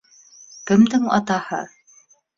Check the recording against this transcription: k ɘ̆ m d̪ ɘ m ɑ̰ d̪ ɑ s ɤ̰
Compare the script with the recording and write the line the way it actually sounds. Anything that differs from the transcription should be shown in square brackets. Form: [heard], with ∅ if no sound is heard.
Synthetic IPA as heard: k ɘ̆ m d̪ ɘ [ŋ] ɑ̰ [t̪] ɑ [h] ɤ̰